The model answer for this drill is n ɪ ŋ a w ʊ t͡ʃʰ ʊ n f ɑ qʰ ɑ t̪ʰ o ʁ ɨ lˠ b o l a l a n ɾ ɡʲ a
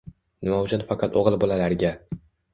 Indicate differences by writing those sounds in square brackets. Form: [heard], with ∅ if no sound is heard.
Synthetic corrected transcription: n ɪ [m] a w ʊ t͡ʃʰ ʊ n f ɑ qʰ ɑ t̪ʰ o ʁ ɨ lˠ b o l a l a [∅] ɾ ɡʲ a